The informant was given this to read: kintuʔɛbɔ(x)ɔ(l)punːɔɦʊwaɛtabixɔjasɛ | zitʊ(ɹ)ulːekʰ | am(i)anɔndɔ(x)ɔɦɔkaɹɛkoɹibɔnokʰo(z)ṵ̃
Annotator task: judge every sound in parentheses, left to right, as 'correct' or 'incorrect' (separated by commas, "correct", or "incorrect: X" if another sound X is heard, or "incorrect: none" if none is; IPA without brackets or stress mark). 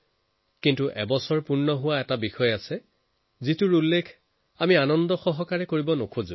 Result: incorrect: s, incorrect: ɹ, correct, correct, correct, correct